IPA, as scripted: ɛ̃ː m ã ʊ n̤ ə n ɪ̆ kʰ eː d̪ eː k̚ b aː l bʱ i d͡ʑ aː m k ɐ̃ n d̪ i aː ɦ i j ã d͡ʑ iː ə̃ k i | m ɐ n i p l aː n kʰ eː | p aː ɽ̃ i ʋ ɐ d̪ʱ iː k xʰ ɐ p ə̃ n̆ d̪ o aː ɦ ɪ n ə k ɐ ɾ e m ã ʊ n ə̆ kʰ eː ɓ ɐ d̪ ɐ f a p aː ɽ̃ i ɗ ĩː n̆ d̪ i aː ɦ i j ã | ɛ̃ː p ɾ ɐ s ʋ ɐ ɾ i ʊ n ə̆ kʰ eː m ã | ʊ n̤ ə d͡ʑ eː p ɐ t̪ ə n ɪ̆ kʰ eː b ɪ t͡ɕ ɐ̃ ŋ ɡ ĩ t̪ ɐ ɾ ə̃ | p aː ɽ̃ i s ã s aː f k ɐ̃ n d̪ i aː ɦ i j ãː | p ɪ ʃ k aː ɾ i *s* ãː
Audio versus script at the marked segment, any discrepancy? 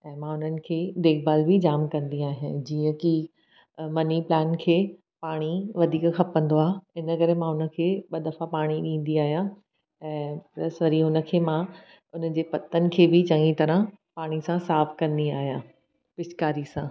no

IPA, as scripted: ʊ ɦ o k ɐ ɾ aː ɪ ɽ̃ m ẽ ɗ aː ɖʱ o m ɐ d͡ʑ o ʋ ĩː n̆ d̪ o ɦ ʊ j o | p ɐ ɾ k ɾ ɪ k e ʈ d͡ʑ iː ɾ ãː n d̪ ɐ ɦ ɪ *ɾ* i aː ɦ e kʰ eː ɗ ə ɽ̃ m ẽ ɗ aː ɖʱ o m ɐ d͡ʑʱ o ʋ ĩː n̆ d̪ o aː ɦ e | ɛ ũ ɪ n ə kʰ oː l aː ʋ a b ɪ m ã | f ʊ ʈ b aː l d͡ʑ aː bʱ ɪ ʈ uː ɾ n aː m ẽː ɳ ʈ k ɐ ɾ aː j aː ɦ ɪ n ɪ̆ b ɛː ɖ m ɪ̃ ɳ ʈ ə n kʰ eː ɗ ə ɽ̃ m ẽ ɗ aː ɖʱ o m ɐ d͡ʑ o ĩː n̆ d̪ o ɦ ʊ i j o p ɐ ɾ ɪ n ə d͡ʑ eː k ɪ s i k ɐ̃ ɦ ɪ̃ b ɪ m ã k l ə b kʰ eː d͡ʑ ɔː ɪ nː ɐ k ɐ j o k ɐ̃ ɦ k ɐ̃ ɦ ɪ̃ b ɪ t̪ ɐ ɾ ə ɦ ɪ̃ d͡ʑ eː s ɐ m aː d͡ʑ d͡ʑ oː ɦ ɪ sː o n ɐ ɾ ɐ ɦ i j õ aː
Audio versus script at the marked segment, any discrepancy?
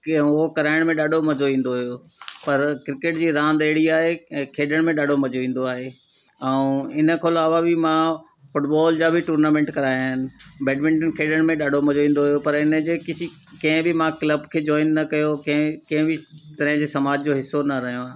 yes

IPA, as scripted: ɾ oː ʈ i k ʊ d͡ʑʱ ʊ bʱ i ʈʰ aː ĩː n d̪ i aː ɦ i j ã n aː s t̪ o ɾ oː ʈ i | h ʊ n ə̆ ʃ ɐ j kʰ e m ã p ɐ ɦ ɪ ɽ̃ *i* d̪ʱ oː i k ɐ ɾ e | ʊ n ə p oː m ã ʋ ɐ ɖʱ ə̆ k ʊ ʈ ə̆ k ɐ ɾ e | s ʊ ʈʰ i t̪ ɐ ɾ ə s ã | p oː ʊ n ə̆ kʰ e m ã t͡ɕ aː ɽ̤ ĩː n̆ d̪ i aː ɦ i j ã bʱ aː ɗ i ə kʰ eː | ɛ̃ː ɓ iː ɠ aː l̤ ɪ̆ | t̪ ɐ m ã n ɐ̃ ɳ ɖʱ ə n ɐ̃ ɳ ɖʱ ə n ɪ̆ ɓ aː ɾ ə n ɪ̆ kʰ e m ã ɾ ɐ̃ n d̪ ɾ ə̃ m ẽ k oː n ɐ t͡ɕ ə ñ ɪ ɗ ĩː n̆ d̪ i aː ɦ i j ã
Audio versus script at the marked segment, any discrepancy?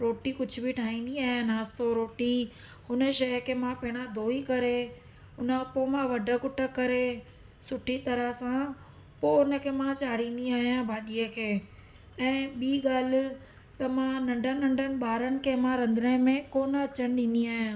yes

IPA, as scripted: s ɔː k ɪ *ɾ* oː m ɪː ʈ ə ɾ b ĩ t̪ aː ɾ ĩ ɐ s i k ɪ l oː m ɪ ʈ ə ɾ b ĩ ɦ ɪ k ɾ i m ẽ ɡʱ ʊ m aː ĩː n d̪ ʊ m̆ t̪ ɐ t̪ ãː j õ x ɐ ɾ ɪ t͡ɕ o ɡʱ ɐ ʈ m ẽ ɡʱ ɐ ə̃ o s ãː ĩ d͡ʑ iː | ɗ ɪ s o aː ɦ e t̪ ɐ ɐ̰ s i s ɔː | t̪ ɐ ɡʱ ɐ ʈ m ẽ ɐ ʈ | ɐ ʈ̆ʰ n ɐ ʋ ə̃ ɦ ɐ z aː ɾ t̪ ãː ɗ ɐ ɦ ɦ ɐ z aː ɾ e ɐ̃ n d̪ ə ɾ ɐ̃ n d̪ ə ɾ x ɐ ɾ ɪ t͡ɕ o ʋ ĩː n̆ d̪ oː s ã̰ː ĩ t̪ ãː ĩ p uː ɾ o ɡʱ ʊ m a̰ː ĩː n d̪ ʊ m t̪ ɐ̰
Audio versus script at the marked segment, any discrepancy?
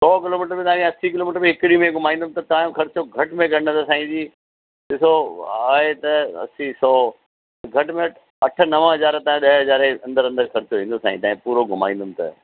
yes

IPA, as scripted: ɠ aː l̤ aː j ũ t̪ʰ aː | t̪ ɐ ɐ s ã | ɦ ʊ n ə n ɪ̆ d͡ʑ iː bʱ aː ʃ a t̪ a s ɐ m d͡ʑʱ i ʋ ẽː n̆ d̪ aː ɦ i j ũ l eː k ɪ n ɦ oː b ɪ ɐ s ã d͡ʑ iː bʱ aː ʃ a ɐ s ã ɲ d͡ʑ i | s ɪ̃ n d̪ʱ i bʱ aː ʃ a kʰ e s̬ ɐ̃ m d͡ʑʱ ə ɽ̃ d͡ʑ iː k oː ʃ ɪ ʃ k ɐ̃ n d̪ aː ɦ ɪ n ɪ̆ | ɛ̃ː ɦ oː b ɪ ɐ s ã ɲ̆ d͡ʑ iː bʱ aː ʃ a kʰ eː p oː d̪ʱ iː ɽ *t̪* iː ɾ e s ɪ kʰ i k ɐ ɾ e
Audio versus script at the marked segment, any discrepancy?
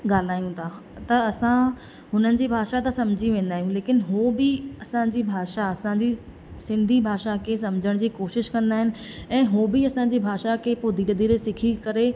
yes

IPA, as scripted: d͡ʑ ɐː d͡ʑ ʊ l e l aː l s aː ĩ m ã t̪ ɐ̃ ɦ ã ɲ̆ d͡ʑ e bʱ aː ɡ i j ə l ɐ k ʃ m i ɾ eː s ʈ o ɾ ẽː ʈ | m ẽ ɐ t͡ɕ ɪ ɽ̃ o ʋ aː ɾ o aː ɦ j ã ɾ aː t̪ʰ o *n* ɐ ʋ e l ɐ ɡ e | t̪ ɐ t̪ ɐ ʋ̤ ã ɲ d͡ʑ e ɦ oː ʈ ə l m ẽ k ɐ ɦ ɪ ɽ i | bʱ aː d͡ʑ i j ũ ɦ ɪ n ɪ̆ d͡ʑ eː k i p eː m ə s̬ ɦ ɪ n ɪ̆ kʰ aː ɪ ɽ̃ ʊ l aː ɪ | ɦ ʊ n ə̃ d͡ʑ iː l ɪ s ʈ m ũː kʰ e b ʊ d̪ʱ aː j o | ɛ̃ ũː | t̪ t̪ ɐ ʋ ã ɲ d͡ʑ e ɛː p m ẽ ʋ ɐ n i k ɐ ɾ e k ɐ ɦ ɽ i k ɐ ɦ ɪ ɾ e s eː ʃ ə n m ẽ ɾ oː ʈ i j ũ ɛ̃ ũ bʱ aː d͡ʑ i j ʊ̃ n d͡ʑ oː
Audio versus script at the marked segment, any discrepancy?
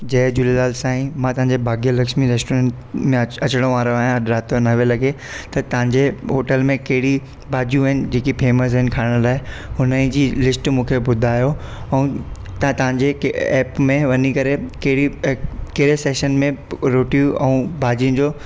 no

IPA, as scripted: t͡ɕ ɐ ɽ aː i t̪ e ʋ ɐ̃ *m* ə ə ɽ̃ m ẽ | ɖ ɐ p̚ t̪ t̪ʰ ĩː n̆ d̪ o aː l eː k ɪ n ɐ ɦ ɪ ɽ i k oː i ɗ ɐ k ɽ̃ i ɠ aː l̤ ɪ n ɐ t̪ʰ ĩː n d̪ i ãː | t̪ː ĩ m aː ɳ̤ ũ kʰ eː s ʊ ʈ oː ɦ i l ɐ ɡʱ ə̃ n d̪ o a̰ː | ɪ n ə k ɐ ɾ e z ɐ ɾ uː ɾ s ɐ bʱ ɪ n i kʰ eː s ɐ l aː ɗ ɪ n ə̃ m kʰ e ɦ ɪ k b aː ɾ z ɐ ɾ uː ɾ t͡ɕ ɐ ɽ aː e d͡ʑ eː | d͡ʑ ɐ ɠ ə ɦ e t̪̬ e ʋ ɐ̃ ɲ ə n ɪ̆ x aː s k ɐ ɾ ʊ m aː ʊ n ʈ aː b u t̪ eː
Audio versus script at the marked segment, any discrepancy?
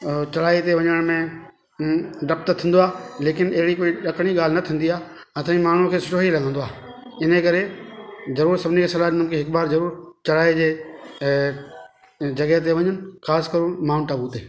yes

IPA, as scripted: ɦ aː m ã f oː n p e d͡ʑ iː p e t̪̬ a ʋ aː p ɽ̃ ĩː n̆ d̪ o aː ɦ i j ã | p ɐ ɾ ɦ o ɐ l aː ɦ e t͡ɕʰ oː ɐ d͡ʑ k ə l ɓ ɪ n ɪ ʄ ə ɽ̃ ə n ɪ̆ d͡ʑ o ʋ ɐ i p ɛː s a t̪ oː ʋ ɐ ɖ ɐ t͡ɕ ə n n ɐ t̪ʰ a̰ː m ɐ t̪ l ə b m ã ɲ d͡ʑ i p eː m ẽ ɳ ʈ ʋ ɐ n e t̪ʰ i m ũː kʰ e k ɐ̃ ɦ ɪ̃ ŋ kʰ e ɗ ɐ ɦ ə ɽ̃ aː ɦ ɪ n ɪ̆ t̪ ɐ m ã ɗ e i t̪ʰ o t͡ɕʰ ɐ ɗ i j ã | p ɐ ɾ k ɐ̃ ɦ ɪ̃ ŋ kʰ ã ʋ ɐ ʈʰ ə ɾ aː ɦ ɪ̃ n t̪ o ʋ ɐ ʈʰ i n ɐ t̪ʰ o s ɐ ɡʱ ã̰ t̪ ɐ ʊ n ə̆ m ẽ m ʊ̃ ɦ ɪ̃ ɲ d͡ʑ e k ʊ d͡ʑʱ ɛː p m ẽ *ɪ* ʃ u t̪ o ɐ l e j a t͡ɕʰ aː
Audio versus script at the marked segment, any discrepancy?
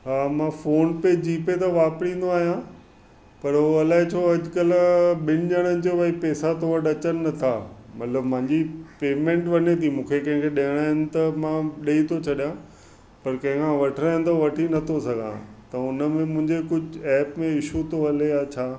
no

